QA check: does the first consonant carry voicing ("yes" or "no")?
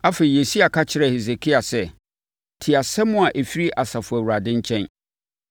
no